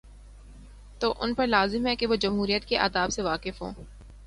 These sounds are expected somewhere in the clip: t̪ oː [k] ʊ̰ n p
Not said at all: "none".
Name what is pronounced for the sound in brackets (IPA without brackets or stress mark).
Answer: ʔ